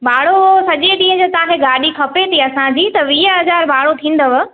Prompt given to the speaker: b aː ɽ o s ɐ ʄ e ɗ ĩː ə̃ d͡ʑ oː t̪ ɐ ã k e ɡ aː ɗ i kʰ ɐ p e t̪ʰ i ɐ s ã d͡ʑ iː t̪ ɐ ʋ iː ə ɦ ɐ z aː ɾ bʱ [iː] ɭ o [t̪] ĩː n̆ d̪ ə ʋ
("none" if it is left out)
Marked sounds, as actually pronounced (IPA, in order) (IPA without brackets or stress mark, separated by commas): aː, t̪ʰ